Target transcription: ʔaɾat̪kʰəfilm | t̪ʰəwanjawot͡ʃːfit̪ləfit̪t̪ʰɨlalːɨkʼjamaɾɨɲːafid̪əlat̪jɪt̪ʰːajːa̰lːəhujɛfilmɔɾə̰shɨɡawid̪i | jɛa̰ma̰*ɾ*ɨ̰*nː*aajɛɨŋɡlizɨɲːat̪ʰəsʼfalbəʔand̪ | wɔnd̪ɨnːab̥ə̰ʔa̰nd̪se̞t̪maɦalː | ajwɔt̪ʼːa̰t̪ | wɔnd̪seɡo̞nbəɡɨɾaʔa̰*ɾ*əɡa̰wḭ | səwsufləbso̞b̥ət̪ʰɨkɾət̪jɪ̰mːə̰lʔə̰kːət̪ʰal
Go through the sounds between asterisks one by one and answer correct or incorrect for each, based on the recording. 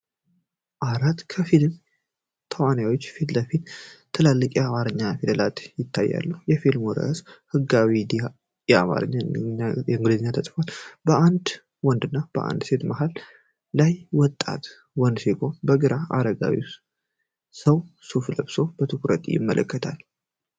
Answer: correct, incorrect: ɲː, correct

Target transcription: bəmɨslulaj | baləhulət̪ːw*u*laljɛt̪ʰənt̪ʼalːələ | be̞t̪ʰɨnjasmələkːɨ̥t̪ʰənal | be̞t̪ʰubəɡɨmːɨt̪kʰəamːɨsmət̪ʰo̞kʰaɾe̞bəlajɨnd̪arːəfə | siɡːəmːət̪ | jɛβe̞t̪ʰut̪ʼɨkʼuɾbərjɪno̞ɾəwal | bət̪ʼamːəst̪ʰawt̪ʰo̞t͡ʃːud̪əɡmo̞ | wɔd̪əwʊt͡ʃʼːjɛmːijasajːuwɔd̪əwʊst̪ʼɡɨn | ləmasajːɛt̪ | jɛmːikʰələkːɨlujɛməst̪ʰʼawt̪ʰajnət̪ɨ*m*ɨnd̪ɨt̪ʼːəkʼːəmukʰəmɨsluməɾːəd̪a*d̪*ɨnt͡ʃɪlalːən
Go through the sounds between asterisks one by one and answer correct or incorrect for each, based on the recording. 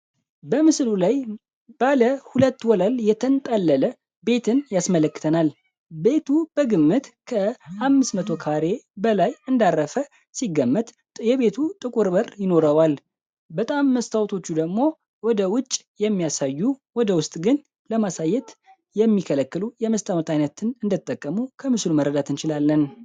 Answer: incorrect: ɔ, incorrect: n, incorrect: t̪

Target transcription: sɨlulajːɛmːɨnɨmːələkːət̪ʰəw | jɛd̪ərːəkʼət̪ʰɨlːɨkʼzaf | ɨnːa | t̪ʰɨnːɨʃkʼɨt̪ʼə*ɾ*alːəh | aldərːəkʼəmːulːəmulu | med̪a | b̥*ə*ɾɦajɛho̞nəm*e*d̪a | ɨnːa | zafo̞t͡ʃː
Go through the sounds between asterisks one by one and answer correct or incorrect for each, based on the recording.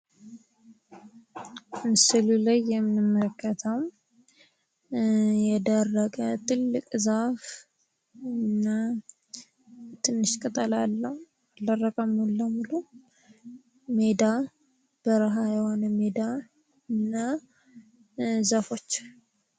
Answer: incorrect: l, correct, correct

